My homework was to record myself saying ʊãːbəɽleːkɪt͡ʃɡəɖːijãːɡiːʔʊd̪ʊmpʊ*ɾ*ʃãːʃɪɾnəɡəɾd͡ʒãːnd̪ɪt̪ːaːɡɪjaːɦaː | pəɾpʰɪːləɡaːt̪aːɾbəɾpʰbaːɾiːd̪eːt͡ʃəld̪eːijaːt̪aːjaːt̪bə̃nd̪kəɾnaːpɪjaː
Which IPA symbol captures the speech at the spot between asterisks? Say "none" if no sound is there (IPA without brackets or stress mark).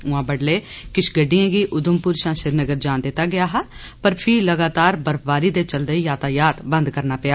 ɾ